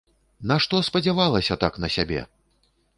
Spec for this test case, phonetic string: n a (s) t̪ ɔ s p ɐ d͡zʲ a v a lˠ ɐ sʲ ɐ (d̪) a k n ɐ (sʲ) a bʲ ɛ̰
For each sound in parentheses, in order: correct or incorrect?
incorrect, incorrect, correct

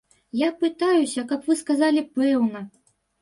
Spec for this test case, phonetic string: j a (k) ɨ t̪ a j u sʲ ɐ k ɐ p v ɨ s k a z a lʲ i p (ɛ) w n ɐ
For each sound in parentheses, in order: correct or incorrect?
incorrect, correct

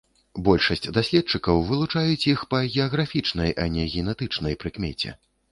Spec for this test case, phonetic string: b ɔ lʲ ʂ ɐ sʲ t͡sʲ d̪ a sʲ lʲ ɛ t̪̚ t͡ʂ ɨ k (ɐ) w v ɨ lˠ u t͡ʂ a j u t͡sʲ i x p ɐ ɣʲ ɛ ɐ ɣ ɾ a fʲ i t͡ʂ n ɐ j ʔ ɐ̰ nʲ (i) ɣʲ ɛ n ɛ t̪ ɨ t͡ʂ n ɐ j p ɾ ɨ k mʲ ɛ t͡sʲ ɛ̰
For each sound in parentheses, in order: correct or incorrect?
correct, incorrect

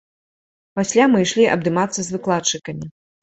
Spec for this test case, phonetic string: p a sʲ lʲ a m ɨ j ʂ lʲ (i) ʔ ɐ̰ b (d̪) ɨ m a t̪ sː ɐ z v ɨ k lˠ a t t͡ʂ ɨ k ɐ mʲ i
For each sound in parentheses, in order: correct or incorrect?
correct, correct

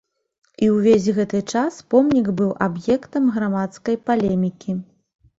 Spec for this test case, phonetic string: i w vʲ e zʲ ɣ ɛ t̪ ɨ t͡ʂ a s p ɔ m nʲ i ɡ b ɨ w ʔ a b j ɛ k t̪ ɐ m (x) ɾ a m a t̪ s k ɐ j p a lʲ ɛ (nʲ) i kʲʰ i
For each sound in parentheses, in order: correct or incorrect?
incorrect, incorrect

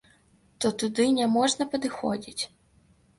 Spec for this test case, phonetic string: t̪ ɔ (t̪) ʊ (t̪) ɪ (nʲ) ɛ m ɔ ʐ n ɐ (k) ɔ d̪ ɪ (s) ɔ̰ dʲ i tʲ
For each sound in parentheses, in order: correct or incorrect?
correct, incorrect, correct, incorrect, incorrect

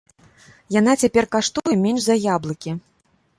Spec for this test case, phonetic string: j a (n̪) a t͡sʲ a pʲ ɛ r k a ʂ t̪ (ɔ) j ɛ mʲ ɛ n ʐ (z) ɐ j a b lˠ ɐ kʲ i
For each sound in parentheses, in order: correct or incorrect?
correct, incorrect, correct

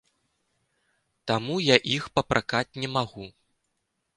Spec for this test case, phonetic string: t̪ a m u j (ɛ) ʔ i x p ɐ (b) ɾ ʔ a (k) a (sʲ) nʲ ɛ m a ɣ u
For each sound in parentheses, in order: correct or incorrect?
incorrect, incorrect, correct, incorrect

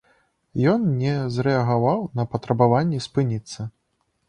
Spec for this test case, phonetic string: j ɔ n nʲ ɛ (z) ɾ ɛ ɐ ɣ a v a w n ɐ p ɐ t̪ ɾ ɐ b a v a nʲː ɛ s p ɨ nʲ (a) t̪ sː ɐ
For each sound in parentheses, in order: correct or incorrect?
correct, incorrect

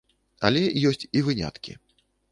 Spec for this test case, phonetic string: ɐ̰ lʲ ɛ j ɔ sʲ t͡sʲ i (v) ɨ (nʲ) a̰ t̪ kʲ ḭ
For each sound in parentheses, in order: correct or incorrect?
correct, correct

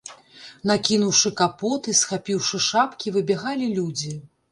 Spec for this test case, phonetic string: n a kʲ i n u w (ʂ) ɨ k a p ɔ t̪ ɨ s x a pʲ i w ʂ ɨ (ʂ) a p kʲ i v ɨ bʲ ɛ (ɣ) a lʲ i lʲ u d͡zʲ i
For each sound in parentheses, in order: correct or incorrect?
correct, correct, correct

